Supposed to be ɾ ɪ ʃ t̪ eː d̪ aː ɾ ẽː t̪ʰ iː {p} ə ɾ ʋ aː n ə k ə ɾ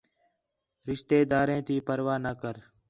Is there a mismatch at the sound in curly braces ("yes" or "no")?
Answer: no